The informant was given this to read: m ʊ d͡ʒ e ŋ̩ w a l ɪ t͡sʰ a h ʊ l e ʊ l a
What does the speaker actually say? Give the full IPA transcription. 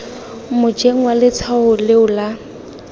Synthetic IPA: m ʊ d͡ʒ e ŋ̩ w a l ɪ t͡sʰ a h ʊ l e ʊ l a